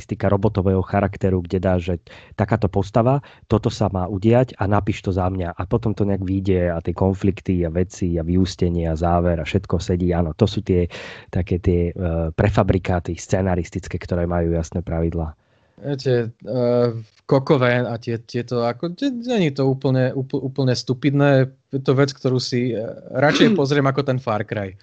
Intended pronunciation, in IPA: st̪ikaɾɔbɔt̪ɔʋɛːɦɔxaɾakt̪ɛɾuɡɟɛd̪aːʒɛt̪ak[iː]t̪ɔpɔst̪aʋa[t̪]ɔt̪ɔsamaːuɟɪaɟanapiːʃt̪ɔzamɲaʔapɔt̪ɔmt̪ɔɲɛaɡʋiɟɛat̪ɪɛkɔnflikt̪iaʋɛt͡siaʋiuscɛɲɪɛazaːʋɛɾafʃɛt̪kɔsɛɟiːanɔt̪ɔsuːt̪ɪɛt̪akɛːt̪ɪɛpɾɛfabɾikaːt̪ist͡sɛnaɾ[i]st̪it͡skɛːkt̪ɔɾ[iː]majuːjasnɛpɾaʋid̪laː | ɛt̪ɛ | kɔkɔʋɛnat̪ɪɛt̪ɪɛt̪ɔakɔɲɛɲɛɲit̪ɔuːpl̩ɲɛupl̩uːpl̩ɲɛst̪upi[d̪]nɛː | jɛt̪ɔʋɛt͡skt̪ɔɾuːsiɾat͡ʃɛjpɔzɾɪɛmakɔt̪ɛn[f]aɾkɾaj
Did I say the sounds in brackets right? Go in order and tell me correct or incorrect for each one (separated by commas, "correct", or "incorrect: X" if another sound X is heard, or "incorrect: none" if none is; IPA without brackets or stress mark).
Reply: incorrect: aː, correct, correct, incorrect: ɛː, correct, correct